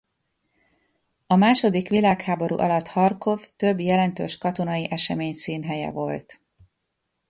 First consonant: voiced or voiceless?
voiced